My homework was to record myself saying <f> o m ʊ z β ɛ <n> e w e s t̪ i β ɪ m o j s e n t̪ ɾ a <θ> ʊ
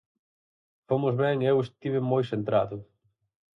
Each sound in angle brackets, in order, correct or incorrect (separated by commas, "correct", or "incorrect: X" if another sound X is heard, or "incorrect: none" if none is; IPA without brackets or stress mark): correct, incorrect: ŋ, incorrect: ð